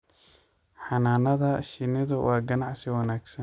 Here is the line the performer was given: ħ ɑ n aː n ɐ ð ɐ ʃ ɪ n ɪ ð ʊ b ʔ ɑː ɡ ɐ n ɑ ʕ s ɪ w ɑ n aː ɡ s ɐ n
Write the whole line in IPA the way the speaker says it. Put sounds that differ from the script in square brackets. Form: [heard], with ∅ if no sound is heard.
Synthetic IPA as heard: ħ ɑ n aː n ɐ ð ɐ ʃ ɪ n ɪ ð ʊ [w] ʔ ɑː ɡ ɐ n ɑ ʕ s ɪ w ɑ n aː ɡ s ɐ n